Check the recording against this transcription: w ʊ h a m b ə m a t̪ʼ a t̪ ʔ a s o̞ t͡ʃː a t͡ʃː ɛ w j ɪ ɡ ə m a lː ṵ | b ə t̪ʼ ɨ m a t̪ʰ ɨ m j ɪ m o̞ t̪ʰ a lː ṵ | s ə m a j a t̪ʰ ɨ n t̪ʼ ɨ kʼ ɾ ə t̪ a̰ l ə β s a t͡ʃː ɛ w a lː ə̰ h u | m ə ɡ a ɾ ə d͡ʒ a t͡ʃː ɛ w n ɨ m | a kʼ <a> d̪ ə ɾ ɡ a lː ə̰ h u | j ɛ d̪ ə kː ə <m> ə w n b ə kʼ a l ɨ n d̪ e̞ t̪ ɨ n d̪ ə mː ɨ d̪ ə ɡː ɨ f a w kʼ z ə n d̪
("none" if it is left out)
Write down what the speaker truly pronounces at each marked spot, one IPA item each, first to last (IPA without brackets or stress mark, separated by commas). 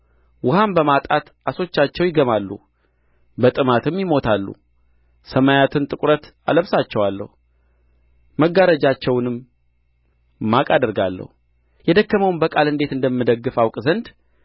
a, m